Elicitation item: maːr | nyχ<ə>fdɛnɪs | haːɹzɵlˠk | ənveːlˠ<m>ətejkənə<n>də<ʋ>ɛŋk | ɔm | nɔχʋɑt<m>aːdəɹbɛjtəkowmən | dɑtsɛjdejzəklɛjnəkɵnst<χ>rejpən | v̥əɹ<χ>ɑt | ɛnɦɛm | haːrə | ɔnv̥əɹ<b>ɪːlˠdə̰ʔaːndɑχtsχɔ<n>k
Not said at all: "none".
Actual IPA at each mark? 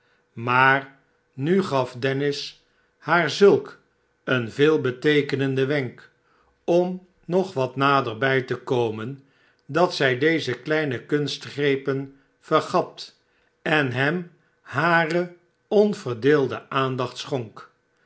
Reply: ɑ, b, n, ʋ, n, χ, χ, d, ŋ

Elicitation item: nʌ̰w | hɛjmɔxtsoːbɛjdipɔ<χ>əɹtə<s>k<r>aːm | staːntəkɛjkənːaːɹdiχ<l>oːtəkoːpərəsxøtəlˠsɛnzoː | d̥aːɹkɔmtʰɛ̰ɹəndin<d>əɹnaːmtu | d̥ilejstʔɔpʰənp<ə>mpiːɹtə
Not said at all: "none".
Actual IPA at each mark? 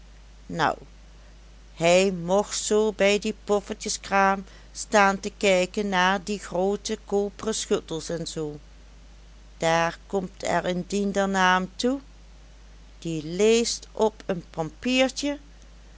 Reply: f, s, r, r, d, ɑ

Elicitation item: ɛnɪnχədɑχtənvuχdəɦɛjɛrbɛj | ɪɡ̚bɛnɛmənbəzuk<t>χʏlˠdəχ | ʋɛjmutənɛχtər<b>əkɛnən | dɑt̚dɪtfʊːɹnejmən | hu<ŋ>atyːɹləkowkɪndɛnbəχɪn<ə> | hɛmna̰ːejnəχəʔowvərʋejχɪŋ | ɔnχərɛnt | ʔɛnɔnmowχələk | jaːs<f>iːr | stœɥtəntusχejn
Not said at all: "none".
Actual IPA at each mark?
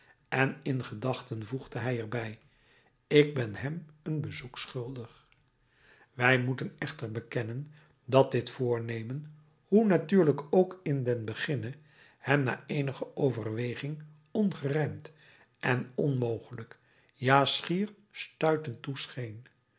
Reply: s, b, n, ə, χ

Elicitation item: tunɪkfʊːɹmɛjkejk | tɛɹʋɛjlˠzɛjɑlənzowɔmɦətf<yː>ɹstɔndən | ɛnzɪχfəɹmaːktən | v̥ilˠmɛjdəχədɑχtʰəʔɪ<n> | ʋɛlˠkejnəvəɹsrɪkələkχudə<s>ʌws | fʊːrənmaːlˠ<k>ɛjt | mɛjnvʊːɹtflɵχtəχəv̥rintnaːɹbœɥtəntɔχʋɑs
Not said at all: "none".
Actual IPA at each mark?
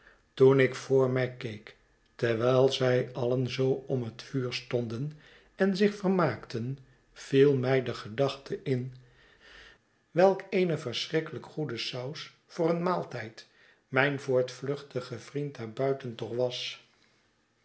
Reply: yː, n, s, t

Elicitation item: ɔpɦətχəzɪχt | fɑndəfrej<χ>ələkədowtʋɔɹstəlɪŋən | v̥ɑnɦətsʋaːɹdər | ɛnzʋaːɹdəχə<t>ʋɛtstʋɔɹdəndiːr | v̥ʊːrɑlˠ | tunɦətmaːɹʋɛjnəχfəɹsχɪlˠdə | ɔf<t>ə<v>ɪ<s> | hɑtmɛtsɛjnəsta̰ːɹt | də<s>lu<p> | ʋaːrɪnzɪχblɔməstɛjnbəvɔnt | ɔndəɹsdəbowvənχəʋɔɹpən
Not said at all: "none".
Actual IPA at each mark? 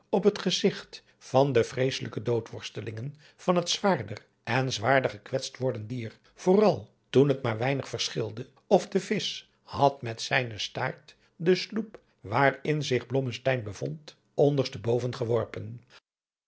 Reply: s, k, d, v, s, s, p

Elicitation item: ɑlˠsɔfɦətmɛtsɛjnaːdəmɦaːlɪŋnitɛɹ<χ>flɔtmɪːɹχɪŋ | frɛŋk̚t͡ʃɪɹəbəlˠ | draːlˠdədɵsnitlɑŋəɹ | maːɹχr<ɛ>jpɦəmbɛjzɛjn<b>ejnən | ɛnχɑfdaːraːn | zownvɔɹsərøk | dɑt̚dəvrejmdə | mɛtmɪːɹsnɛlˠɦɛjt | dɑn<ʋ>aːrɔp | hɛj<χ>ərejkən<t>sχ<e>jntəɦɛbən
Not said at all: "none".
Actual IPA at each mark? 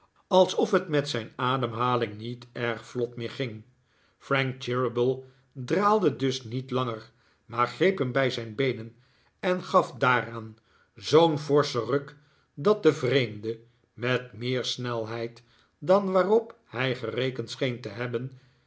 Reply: χ, e, b, ʋ, χ, t, e

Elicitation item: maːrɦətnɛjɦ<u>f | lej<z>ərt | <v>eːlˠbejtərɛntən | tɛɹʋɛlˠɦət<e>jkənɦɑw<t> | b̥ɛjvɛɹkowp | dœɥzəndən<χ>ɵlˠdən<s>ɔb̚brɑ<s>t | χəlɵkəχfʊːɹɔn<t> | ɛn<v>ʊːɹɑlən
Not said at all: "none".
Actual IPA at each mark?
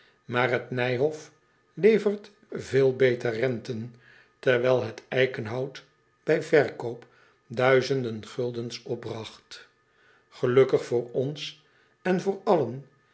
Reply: ɔ, v, v, ɛ, t, χ, s, χ, s, v

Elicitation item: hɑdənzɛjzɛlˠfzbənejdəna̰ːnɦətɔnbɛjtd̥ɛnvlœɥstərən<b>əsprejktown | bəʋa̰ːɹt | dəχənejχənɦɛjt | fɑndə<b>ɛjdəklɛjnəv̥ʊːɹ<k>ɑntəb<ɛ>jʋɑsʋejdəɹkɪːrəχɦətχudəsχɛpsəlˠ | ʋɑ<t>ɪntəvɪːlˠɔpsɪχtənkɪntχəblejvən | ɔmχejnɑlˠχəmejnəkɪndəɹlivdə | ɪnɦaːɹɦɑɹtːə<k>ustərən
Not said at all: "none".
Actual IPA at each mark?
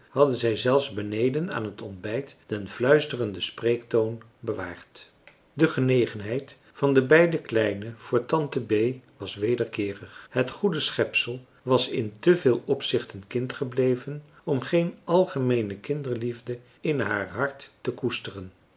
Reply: d, b, t, e, s, k

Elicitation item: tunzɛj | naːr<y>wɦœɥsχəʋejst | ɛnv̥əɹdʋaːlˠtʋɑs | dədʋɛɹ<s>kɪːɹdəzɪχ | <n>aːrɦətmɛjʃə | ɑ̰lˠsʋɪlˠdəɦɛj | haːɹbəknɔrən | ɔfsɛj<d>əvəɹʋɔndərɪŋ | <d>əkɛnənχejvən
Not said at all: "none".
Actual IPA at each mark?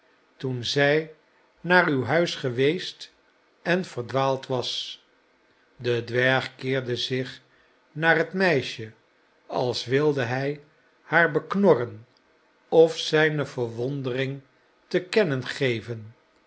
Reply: y, χ, n, n, t

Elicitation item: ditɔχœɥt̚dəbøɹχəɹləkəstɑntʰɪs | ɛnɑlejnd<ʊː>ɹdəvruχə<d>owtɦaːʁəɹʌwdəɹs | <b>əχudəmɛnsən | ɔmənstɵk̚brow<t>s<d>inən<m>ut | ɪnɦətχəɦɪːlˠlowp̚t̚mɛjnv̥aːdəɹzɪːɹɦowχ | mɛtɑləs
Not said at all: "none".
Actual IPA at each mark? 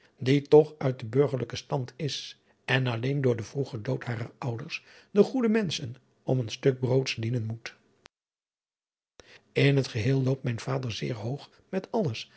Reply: ʊː, d, d, t, d, m

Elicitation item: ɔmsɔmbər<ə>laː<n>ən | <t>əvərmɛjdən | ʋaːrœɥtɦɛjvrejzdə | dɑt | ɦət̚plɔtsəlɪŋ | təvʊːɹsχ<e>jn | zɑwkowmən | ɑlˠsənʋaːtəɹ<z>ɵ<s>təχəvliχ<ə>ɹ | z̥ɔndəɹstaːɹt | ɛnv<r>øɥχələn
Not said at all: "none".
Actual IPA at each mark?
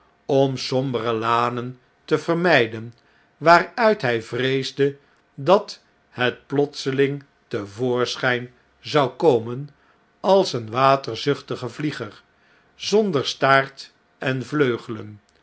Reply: ə, n, t, ɛ, z, χ, ə, l

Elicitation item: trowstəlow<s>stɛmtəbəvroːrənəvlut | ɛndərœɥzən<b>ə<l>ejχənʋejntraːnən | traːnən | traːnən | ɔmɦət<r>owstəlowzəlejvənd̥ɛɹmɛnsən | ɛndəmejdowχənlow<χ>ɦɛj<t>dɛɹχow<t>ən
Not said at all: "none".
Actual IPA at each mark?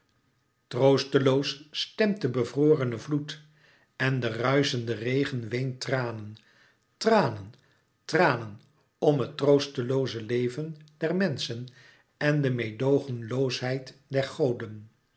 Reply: s, d, r, r, s, t, d

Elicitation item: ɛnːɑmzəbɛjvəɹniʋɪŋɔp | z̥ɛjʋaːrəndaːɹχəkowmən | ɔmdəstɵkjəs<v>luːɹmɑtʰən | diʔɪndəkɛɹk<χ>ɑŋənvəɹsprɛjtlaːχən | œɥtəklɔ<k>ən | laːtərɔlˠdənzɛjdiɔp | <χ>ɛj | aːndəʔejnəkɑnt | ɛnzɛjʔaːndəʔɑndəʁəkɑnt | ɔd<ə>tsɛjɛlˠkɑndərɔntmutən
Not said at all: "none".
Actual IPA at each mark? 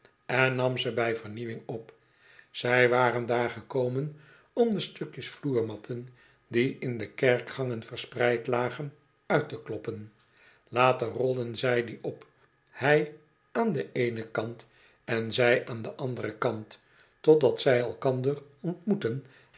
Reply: f, χ, p, h, ɑ

